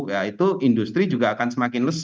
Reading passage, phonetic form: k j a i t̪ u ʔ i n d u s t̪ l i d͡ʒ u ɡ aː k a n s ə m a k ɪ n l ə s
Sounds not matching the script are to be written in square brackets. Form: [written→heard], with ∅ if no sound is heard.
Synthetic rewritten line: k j a i t̪ u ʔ i n d u s t̪ [l→ɾ] i d͡ʒ u ɡ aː k a n s ə m a k ɪ n l ə s